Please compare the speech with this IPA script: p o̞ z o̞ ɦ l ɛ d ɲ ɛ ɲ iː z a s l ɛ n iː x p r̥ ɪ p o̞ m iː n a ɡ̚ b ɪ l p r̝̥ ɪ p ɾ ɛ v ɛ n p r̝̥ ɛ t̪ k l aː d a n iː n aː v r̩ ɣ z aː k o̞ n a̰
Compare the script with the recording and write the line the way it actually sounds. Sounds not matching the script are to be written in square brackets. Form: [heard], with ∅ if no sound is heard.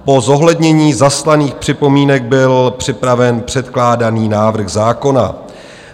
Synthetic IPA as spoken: p o̞ z o̞ ɦ l ɛ d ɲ ɛ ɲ iː z a s l [a] n iː x p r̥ ɪ p o̞ m iː n [ɛ] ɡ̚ b ɪ l p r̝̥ ɪ p ɾ [a] v ɛ n p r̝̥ ɛ t̪ k l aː d a n iː n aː v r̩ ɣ z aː k o̞ n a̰

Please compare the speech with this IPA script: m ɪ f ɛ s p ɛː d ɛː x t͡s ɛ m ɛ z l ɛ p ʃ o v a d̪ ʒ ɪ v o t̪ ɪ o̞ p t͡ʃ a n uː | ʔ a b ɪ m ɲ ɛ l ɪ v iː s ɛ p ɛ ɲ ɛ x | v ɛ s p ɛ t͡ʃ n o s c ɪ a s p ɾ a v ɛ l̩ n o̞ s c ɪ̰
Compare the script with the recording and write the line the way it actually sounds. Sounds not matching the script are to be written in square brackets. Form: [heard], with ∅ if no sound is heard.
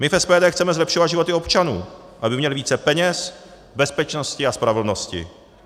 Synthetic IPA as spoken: m ɪ f ɛ s p ɛː d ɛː x t͡s ɛ m ɛ z l ɛ p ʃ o v a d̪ ʒ ɪ v o t̪ ɪ o̞ p t͡ʃ a n uː | ʔ a b ɪ m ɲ ɛ l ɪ v iː [t͡s] ɛ p ɛ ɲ ɛ [s] | [b] ɛ s p ɛ t͡ʃ n o s c ɪ a s p ɾ a v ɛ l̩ n o̞ s c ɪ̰

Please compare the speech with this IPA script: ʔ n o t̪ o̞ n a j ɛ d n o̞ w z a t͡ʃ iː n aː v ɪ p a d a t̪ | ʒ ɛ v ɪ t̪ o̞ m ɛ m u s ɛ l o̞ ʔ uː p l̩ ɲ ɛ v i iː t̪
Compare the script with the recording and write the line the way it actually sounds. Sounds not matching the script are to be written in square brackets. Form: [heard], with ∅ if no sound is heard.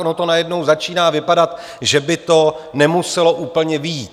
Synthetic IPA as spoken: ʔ n o t̪ o̞ n a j ɛ d n o̞ w z a t͡ʃ iː n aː v ɪ p a d a t̪ | ʒ ɛ [b] ɪ t̪ o̞ [n] ɛ m u s ɛ l o̞ ʔ uː p l̩ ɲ ɛ v i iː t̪

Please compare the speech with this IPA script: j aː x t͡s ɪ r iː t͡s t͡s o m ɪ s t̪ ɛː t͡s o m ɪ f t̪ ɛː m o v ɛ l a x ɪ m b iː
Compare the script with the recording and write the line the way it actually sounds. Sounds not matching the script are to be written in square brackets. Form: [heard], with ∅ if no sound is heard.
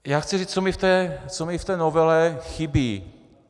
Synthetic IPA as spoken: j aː x t͡s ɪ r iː t͡s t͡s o m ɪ [f] t̪ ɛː t͡s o m ɪ f t̪ ɛː [n] o v ɛ l [ɛ] x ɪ [∅] b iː

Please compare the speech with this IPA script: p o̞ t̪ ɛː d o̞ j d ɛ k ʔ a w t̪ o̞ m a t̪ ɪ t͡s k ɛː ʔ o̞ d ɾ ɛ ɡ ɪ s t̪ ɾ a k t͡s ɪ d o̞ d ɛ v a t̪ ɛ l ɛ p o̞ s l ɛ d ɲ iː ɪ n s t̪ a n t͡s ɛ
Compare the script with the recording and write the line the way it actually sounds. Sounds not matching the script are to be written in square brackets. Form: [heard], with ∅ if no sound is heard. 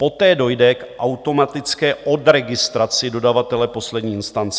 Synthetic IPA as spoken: p o̞ t̪ ɛː d o̞ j d ɛ k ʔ a w t̪ o̞ m a t̪ ɪ t͡s k ɛː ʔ o̞ d ɾ ɛ ɡ ɪ s t̪ ɾ a [∅] t͡s ɪ d o̞ d [a] v a t̪ ɛ l ɛ p o̞ s l ɛ d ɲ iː ɪ n s t̪ a n t͡s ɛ

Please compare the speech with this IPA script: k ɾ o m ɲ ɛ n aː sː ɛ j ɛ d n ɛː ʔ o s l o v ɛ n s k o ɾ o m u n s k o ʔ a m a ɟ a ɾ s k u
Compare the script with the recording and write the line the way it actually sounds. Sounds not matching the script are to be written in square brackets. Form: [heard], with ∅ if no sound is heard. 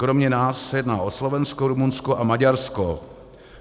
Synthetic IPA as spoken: k ɾ o m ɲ ɛ n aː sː ɛ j ɛ d n [aː] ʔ o s l o v ɛ n s k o ɾ [u] m u n s k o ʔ a m a ɟ a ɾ s k [o]

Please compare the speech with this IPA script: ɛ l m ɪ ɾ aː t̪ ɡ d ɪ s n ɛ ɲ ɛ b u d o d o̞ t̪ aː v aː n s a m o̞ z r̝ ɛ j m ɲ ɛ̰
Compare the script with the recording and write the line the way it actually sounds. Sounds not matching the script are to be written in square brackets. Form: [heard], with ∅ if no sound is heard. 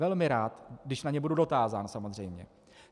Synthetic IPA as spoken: ɛ l m ɪ ɾ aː t̪ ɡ d ɪ [ʃ] n [a] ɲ ɛ b u d [u] d o̞ t̪ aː [z] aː n s a m o̞ z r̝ ɛ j m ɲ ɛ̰

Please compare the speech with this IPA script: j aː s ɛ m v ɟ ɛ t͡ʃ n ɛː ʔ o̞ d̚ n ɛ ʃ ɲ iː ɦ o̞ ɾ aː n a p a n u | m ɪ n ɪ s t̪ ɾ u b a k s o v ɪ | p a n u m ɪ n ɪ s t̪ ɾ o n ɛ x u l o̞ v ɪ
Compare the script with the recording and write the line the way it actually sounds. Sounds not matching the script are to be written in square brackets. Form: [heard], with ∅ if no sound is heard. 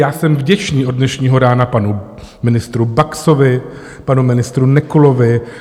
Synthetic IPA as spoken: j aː s ɛ m v ɟ ɛ t͡ʃ n [iː] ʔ o̞ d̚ n ɛ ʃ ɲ iː ɦ o̞ ɾ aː n a p a n u | m ɪ n ɪ s t̪ ɾ u b a k s o v ɪ | p a n u m ɪ n ɪ s t̪ ɾ [u] n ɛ [k] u l o̞ v ɪ

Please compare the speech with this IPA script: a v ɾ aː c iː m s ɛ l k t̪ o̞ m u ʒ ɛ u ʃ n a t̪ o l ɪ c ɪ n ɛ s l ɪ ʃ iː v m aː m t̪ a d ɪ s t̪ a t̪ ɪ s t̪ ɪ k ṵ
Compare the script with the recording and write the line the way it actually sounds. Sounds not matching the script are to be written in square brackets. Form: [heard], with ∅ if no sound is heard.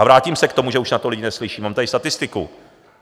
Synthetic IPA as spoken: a v ɾ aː c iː m s ɛ [∅] k t̪ o̞ m u ʒ ɛ u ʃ n a t̪ o l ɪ [ɟ] ɪ n ɛ s l ɪ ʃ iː [∅] m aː m t̪ a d ɪ s t̪ a t̪ ɪ s t̪ ɪ k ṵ

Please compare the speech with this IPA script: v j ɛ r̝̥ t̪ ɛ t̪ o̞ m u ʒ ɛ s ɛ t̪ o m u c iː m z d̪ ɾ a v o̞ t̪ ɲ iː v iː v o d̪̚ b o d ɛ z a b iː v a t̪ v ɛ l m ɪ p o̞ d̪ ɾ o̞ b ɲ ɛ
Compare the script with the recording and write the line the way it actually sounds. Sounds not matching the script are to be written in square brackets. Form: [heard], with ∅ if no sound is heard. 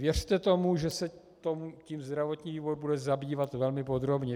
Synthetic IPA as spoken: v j ɛ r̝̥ t̪ ɛ t̪ o̞ m u ʒ ɛ s ɛ t̪ o m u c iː m z d̪ ɾ a v o̞ t̪ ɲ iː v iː v o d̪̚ b [u] d ɛ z a b iː v a t̪ v ɛ l m ɪ p o̞ d̪ ɾ o̞ b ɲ ɛ

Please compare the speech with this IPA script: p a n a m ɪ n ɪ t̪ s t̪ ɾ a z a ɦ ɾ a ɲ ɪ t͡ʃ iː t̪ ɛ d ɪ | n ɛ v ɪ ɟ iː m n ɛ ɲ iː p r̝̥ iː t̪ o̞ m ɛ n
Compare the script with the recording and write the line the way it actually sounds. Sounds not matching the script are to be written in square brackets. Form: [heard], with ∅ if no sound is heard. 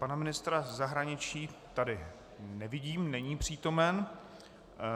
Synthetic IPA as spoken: p a n a m ɪ n ɪ [∅] s t̪ ɾ a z a ɦ ɾ a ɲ ɪ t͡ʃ iː t̪ [a] d ɪ | n ɛ v ɪ ɟ iː m n ɛ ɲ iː p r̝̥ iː t̪ o̞ m ɛ n

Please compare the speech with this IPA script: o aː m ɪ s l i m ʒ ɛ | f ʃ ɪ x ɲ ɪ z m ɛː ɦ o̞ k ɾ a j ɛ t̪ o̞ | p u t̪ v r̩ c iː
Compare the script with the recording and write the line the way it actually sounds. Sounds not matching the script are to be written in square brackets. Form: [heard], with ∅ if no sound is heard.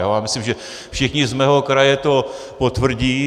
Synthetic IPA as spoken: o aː m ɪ s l i m ʒ ɛ | f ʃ ɪ x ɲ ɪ z m ɛː ɦ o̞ k ɾ a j ɛ t̪ o̞ | p [o] t̪ v r̩ [ɟ] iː

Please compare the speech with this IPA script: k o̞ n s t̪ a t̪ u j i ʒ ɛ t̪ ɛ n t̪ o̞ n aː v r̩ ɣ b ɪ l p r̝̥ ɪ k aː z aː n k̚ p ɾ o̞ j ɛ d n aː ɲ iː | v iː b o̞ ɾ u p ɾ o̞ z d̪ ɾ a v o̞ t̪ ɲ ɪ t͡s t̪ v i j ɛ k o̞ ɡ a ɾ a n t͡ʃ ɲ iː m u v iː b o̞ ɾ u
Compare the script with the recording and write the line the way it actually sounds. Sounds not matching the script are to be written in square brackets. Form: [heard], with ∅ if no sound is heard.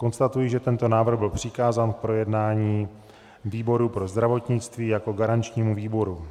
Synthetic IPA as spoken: k o̞ n s t̪ a t̪ u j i ʒ ɛ t̪ ɛ n t̪ o̞ n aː v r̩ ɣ b ɪ l p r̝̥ ɪ k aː z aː n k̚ p ɾ o̞ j ɛ d n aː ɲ iː | v iː b o̞ ɾ u p ɾ o̞ z d̪ ɾ a v o̞ t̪ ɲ ɪ t͡s t̪ v [iː] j [a] k o̞ ɡ a ɾ a n t͡ʃ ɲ iː m u v iː b o̞ ɾ u

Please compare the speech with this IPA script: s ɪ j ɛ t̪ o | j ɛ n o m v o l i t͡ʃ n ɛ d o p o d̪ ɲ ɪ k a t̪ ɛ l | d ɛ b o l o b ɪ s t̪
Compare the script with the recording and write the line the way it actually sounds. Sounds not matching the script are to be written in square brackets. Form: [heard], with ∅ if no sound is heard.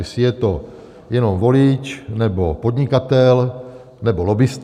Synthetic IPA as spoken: s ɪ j ɛ t̪ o | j ɛ n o m v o l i t͡ʃ n ɛ [b] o p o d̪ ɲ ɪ k a t̪ ɛ l | [n] ɛ b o l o b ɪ s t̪

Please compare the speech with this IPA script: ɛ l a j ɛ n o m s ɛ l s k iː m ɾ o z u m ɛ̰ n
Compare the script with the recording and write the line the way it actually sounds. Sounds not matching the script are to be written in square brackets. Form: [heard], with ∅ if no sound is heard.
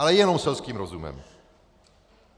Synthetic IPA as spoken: [a] l [ɛ] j ɛ n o m s ɛ l s k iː m ɾ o z u m ɛ̰ [m]

